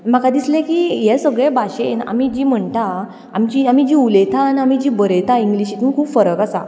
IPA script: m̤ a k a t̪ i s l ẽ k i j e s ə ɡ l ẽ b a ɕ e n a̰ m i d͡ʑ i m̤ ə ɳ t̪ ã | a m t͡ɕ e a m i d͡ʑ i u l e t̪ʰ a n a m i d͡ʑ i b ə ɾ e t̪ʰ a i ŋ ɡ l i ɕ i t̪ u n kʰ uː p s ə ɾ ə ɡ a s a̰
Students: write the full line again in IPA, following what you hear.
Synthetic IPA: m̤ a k a d̪ i s l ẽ k i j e s ə ɡ ɭ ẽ b a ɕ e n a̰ m i d͡ʑ i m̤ ə ɳ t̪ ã | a m t͡ɕ i a m i d͡ʑ i u l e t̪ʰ a n a m i d͡ʑ i b ə ɾ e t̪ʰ a i ŋ ɡ l i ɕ i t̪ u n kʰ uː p f ə ɾ ə k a s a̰